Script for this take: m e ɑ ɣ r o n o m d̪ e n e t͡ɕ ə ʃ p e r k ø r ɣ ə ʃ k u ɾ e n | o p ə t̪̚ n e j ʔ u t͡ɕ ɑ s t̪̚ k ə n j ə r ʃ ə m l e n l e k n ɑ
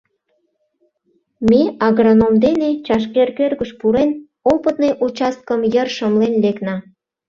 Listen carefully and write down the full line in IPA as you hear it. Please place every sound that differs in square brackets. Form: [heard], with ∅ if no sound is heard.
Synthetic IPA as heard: m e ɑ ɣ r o n o m d̪ e n e t͡ɕ [ɑ] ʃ [k] e r k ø r ɣ ə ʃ [p] u ɾ e n | o p ə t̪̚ n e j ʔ u t͡ɕ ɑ s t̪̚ k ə [m] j ə r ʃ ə m l e n l e k n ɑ